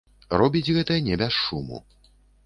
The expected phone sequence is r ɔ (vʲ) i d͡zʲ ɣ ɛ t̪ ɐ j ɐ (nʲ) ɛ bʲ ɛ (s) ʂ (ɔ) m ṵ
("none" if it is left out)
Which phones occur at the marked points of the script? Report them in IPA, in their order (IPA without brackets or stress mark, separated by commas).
bʲ, nʲ, s, u